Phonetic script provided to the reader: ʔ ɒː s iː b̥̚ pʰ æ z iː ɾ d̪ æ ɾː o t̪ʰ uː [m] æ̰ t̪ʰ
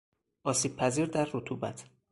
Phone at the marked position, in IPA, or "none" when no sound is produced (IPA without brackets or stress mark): b